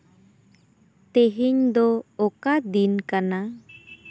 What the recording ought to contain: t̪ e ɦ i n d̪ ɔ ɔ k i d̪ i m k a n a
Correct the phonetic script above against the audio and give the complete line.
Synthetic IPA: t̪ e ɦ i ɲ d̪ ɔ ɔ k a d̪ i n k a n a